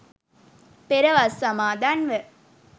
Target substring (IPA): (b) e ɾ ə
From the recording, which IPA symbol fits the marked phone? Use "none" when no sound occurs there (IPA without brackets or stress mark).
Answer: p